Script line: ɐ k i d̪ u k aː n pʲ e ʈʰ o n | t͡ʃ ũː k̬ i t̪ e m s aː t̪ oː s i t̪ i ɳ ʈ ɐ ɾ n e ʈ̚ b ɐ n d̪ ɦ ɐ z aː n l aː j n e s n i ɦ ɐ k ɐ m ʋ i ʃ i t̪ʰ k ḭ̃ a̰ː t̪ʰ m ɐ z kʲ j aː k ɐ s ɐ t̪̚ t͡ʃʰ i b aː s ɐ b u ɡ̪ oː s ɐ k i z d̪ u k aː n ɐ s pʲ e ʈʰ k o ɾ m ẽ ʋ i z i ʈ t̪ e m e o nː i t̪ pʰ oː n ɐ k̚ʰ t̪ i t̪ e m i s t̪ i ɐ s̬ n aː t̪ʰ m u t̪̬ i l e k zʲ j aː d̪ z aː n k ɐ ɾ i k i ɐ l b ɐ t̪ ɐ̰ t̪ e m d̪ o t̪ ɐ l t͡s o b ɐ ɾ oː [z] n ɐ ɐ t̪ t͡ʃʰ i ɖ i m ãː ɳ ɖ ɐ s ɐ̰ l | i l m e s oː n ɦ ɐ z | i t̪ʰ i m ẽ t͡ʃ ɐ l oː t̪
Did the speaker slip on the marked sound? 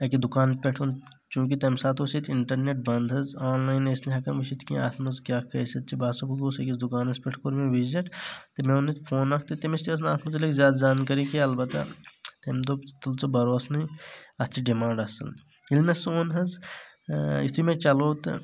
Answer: yes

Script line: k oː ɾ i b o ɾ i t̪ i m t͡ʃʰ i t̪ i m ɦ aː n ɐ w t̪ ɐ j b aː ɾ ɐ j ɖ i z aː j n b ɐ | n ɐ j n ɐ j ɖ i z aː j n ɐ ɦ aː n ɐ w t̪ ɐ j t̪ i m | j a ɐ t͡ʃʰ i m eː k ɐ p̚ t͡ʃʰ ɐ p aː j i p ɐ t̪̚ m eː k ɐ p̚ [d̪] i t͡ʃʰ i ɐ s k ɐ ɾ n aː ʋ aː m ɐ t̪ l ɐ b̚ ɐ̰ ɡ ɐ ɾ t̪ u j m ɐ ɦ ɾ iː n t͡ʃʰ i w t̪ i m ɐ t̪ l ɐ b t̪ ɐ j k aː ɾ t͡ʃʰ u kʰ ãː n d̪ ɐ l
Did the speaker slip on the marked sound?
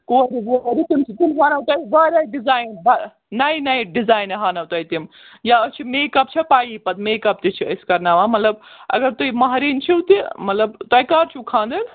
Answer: yes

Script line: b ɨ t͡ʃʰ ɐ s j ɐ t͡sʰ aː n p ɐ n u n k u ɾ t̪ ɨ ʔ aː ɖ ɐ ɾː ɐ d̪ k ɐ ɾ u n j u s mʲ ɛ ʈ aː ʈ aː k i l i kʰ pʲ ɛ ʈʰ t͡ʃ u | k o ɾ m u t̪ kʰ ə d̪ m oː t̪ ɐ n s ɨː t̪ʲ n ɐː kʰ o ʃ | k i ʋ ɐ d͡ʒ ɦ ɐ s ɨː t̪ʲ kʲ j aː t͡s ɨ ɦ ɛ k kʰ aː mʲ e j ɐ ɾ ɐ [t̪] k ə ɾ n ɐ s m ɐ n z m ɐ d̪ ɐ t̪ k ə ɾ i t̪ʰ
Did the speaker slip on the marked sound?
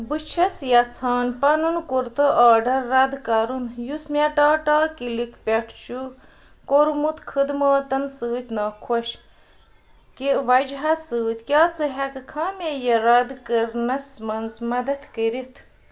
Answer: yes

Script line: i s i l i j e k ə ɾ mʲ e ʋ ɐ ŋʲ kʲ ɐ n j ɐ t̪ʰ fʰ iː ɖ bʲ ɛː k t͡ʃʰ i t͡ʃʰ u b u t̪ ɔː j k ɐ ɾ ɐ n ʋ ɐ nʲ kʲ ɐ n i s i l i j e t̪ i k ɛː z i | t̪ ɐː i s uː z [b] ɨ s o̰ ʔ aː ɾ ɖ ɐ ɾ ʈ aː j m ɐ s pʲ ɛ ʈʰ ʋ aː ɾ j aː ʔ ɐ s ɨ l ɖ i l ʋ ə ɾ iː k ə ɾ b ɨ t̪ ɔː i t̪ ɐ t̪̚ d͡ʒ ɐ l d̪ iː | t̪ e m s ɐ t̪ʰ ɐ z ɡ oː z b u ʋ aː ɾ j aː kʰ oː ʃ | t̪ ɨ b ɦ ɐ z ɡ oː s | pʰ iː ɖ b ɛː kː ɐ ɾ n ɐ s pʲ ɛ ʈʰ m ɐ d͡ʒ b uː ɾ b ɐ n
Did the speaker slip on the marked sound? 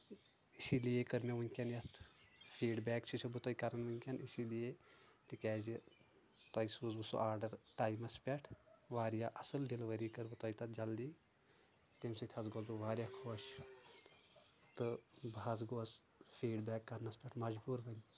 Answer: no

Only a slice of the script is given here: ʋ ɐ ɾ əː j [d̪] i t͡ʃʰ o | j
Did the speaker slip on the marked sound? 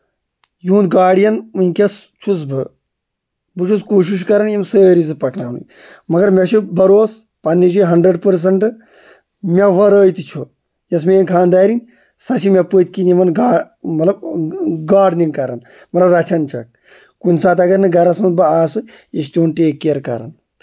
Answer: yes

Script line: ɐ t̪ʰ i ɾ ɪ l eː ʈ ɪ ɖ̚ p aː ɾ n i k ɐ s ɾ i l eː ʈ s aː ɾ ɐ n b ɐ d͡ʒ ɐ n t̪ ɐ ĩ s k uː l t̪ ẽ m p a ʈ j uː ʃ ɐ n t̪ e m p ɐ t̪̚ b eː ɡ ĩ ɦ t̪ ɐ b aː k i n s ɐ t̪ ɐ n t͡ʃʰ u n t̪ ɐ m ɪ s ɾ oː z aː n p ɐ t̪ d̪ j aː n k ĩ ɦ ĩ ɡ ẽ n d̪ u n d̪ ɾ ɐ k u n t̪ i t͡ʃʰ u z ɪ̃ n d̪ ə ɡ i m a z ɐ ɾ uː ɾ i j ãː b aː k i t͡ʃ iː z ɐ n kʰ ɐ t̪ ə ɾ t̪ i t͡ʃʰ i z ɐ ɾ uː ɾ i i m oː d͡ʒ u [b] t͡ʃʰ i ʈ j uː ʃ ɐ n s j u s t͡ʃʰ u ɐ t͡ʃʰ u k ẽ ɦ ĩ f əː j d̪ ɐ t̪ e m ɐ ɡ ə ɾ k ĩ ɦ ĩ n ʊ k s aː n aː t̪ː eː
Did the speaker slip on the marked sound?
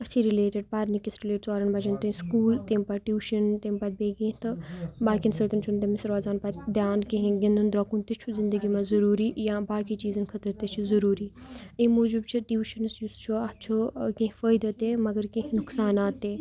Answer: no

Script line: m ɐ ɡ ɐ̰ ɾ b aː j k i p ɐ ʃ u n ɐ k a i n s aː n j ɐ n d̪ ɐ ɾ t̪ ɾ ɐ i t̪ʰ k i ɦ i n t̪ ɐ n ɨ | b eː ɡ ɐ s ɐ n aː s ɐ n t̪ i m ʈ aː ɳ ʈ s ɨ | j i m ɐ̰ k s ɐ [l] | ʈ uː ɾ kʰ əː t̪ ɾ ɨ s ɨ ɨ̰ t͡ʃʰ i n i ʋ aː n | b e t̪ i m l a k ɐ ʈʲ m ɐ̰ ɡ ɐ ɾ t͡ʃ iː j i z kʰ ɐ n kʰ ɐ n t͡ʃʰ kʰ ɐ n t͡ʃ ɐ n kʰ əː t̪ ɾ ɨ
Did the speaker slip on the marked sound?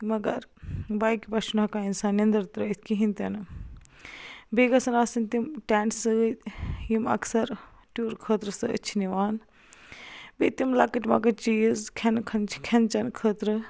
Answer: yes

